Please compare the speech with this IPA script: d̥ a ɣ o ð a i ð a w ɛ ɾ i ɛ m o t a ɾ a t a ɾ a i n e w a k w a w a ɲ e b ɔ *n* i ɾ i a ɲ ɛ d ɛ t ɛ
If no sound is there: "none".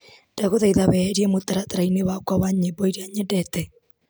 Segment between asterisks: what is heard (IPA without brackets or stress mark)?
none